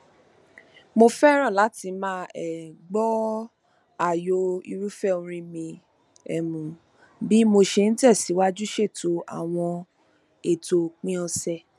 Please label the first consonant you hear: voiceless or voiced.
voiced